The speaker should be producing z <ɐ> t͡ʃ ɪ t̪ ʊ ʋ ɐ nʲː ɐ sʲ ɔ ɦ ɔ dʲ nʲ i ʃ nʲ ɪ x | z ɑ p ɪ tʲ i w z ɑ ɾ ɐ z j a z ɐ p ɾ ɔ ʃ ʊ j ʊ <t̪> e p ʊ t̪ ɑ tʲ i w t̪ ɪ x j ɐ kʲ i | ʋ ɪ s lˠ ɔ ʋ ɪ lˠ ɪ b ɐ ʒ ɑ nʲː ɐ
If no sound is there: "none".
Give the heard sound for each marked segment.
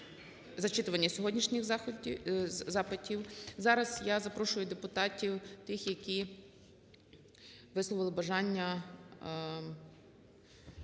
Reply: ɐ, d̪

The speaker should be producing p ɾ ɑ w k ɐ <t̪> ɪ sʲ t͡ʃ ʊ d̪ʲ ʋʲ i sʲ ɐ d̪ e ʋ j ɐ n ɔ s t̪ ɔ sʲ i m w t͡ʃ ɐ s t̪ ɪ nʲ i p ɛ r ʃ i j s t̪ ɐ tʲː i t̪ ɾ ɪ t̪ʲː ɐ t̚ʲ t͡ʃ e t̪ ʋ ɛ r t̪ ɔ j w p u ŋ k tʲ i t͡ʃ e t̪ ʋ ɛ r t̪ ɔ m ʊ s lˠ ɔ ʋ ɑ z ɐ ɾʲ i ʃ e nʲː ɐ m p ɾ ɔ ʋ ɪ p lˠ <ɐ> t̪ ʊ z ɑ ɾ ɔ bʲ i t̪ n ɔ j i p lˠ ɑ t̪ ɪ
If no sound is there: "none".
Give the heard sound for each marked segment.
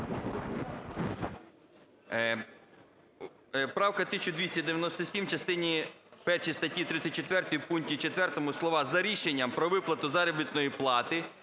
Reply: t̪, ɐ

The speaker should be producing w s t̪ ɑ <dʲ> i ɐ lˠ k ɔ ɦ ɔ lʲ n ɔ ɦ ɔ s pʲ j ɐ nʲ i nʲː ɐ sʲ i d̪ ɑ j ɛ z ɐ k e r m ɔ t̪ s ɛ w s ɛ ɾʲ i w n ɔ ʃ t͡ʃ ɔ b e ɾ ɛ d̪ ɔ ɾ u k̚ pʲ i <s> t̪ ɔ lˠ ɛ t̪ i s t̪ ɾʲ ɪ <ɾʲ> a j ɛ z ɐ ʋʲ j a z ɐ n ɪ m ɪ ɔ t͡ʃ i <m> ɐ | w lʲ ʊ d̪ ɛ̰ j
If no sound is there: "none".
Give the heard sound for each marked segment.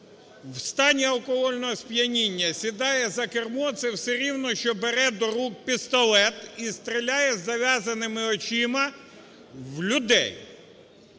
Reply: nʲ, s, lʲ, m

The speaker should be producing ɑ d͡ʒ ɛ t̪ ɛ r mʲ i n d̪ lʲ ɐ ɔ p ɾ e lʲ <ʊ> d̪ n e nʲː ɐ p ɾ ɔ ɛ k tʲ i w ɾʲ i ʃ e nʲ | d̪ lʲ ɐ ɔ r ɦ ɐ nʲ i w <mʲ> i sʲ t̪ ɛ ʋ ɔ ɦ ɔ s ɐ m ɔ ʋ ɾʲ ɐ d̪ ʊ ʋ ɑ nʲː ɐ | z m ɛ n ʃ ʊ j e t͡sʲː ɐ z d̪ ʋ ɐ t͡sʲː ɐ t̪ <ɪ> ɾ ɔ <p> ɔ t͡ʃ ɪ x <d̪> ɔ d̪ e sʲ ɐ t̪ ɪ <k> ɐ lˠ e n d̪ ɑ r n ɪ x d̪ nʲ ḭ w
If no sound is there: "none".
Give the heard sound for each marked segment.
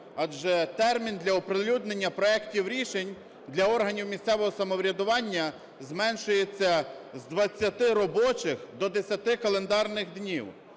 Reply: u, mʲ, ɪ, b, d̪, k

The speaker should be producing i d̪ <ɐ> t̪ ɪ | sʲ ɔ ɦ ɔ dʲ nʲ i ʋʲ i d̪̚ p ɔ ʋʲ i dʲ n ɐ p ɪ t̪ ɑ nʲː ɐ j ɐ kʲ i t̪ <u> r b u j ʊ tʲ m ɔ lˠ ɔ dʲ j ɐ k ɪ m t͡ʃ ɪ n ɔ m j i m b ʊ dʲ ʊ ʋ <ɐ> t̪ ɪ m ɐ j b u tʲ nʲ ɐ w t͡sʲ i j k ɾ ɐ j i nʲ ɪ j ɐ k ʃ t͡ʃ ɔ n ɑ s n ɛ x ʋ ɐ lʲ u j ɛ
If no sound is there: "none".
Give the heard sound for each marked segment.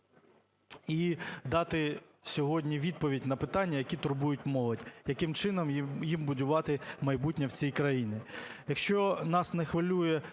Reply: ɑ, ʊ, ɑ

